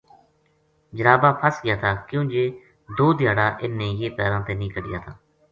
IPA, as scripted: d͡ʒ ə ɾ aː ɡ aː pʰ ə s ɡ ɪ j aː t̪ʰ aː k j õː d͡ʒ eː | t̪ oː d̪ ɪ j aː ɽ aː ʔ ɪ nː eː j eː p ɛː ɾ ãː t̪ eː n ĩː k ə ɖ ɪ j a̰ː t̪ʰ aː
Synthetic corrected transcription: d͡ʒ ə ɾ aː b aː pʰ ə s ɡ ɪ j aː t̪ʰ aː k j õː d͡ʒ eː | d̪ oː d̪ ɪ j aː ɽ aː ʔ ɪ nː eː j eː p ɛː ɾ ãː t̪ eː n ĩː k ə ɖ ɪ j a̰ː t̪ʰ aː